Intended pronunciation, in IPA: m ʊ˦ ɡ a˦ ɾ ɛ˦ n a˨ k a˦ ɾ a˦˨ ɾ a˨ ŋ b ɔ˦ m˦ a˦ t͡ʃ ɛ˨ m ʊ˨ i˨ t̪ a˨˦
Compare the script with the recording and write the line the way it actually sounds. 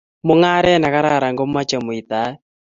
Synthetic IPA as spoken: m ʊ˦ ŋ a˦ ɾ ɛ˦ n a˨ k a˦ ɾ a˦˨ ɾ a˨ ŋ ɡ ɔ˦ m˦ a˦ t͡ʃ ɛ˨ m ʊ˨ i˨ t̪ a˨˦